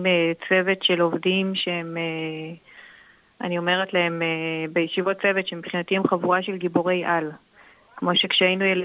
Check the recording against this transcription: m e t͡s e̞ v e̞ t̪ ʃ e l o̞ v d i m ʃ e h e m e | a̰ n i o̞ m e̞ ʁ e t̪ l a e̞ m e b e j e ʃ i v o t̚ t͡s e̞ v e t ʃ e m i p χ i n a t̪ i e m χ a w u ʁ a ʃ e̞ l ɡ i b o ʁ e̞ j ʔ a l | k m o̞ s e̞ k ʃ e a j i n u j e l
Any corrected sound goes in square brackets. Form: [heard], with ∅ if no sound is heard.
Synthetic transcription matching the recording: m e t͡s e̞ v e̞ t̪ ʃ e l o̞ v d i m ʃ e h e m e | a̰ n i o̞ m e̞ ʁ e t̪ l a e̞ m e b e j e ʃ i v o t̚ t͡s e̞ v e t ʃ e m i p χ i n a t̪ i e m χ a [v] u ʁ a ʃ e̞ l ɡ i b o ʁ e̞ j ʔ a l | k m o̞ [ʃ] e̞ k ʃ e a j i n u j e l